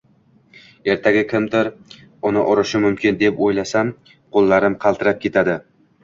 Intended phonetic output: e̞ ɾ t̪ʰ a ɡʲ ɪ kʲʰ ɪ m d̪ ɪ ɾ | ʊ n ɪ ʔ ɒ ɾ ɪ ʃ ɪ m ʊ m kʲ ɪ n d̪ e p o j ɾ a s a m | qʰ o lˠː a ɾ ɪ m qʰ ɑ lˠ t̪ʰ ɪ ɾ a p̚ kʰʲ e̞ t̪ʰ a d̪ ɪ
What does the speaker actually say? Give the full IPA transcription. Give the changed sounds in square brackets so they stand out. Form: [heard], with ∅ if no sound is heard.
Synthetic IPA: e̞ ɾ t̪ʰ a ɡʲ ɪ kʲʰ ɪ m d̪ ɪ ɾ | ʊ n ɪ ʔ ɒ ɾ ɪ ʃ ɪ m ʊ m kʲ ɪ n d̪ e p o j [l] a s a m | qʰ o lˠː a ɾ ɪ m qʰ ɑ lˠ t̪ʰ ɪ ɾ a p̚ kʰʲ e̞ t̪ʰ a d̪ ɪ